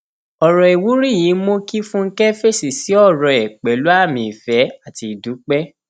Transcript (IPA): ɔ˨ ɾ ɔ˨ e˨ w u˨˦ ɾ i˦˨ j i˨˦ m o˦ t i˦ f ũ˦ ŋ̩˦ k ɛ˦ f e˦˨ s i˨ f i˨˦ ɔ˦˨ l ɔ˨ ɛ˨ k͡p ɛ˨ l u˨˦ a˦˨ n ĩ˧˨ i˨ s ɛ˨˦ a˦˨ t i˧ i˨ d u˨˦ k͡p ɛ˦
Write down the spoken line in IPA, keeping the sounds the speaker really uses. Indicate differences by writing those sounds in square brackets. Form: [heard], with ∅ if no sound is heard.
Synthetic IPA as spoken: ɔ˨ ɾ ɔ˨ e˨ w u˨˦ ɾ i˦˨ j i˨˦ m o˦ [k] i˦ f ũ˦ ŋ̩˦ k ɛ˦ f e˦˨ s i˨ [s] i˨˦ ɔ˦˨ [ɾ] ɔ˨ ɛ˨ k͡p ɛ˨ l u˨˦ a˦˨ [m] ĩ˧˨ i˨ [f] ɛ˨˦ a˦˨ t i˧ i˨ d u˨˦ k͡p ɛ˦